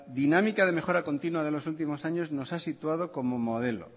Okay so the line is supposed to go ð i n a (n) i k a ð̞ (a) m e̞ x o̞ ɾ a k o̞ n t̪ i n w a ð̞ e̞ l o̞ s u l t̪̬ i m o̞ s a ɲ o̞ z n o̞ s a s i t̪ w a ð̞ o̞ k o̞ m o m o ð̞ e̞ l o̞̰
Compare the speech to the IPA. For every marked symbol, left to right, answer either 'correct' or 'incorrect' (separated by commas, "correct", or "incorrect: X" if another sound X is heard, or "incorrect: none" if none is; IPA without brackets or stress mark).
incorrect: m, incorrect: e